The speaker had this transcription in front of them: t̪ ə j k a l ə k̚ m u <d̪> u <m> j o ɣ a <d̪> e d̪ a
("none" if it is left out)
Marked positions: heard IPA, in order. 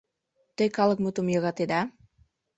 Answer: t̪, m, t̪

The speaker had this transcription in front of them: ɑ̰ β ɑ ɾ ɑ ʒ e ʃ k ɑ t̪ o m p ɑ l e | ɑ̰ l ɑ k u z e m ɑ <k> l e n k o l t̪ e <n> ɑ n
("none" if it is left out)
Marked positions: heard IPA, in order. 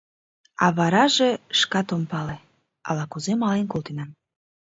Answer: none, n

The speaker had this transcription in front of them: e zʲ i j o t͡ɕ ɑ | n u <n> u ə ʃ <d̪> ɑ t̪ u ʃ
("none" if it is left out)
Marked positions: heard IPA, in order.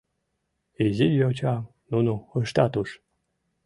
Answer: n, t̪

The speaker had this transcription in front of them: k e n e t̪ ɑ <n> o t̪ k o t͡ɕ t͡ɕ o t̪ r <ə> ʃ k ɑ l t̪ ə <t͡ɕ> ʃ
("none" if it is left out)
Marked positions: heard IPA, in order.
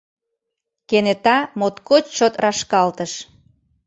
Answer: m, ɑ, none

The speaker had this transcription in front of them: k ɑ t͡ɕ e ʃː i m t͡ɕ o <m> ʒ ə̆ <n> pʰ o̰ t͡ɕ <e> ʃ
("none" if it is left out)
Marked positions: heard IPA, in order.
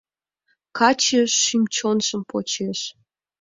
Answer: n, m, e

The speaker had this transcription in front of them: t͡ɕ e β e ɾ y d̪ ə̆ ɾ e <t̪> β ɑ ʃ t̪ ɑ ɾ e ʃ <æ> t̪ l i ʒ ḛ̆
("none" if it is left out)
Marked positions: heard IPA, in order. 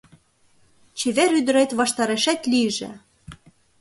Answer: t̪, æ

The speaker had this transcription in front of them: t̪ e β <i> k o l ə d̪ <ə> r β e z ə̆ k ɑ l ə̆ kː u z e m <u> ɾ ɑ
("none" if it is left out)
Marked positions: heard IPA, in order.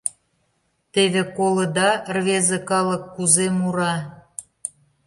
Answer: e, ɑ, u

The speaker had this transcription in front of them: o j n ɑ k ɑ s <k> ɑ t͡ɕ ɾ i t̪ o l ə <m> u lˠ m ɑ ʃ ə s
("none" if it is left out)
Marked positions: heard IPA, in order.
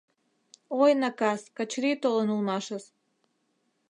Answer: k, n

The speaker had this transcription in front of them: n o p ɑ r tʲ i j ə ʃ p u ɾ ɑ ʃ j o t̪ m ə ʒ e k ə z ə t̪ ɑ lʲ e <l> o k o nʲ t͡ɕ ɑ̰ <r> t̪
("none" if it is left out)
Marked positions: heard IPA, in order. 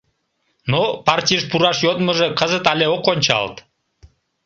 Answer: none, l

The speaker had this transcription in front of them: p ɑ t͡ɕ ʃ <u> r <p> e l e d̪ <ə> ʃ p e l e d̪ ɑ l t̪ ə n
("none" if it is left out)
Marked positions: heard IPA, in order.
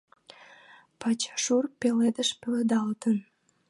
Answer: u, p, ə

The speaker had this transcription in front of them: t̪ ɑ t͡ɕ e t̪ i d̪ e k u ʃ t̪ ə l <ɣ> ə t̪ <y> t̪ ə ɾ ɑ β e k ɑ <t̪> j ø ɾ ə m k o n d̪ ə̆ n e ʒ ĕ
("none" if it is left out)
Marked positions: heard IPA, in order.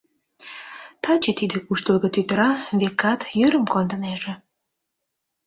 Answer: ɣ, y, t̪

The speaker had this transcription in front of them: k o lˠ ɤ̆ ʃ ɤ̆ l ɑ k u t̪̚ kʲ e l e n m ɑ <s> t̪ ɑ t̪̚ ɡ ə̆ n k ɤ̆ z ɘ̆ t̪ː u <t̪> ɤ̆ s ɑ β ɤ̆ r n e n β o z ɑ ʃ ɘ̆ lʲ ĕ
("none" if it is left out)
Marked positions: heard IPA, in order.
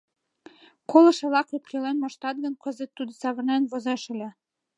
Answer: ʃ, d̪

